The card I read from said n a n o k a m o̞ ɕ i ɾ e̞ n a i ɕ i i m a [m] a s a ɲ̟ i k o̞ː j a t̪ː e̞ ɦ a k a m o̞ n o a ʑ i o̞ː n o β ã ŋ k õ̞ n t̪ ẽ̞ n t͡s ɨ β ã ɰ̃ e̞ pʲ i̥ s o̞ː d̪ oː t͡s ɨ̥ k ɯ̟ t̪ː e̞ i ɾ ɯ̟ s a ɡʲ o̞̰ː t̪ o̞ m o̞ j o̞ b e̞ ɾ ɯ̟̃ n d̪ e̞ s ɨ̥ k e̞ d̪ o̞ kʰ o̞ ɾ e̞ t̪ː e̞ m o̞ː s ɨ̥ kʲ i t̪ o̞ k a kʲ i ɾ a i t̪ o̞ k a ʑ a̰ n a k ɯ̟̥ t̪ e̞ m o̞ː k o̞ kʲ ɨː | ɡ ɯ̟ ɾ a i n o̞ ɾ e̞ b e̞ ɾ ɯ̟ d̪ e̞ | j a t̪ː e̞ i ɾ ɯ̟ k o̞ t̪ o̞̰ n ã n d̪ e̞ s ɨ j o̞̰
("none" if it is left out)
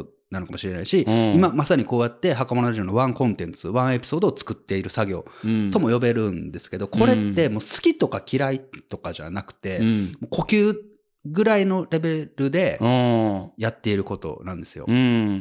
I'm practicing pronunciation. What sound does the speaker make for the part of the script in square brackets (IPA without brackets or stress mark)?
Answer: m